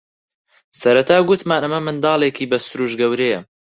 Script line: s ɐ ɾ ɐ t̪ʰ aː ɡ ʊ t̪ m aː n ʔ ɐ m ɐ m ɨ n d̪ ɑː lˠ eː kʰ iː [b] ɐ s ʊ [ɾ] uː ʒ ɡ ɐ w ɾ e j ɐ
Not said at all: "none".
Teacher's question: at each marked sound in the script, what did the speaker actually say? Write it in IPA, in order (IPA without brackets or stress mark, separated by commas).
b, ɾ